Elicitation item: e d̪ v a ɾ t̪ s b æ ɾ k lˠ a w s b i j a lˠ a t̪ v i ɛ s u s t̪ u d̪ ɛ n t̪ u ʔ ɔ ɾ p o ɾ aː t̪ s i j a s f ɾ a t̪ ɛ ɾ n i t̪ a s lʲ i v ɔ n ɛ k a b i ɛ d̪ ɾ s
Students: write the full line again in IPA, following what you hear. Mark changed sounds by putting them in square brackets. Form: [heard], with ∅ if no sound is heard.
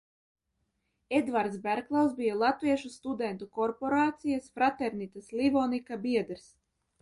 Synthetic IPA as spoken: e d̪ v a ɾ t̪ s b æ ɾ k lˠ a w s b i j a lˠ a t̪ v i ɛ [ʃ] u s t̪ u d̪ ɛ n t̪ u [k] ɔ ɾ p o ɾ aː t̪ s i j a s f ɾ a t̪ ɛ ɾ n i t̪ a s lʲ i v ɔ n [i] k a b i ɛ d̪ ɾ s